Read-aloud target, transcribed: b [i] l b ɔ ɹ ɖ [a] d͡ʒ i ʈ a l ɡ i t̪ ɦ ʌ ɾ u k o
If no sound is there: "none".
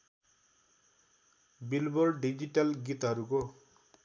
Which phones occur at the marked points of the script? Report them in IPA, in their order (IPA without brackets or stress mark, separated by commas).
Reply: i, i